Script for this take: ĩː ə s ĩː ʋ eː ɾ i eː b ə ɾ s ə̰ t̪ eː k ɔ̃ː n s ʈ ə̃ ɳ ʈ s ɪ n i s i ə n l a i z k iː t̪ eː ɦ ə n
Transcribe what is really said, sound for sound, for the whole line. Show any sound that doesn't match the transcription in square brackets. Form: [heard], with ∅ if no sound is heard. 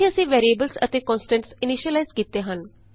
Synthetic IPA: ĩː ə s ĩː ʋ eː ɾ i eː b ə [l] s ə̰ t̪ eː k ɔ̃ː n s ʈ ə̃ ɳ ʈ s ɪ n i [ʃ] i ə [∅] l a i z k iː t̪ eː ɦ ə n